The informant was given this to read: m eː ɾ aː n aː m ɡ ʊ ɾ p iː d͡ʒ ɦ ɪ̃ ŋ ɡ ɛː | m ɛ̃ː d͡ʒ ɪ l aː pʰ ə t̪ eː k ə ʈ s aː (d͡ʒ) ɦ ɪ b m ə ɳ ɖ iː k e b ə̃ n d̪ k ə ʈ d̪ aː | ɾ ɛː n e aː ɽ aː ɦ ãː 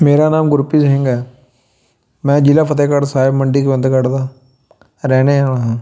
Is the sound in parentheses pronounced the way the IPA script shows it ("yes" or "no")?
no